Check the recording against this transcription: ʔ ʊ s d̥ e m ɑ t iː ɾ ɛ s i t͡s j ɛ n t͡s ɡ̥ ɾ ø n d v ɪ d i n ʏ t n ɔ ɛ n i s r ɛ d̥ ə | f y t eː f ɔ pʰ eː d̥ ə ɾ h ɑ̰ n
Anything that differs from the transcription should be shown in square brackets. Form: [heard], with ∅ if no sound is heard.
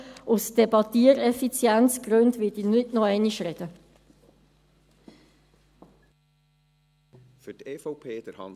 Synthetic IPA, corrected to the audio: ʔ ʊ s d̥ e [b] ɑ t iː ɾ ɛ [f] i t͡s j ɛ n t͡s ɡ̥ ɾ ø n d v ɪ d i n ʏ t n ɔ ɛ n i [ʃ] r ɛ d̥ ə | f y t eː f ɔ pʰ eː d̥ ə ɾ h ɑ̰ n